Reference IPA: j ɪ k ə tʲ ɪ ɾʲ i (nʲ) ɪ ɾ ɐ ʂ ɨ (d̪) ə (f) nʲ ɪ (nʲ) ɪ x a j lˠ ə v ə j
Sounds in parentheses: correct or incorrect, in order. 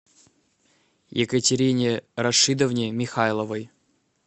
correct, correct, incorrect: v, incorrect: mʲ

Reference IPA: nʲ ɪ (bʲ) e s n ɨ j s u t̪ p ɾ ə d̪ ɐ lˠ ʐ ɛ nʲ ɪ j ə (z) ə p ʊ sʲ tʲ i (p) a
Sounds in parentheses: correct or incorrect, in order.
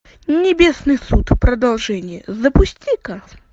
correct, correct, incorrect: k

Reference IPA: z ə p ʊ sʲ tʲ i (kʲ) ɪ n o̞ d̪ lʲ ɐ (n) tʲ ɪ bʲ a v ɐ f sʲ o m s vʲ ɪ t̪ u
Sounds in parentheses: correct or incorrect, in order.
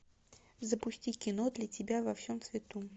correct, incorrect: none

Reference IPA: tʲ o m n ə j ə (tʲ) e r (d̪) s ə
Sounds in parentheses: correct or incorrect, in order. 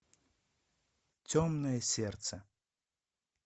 incorrect: sʲ, incorrect: t̪

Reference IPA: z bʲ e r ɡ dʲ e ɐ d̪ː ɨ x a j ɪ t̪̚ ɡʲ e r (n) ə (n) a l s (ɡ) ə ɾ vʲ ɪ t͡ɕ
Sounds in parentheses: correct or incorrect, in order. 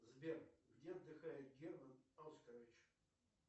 incorrect: m, correct, incorrect: k

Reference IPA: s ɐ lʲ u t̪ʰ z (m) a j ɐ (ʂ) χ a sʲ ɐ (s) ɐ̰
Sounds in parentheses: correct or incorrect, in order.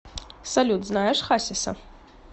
incorrect: n, correct, correct

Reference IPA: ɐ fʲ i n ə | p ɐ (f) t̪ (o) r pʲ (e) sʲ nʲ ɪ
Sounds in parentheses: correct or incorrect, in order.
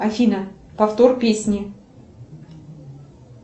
correct, correct, correct

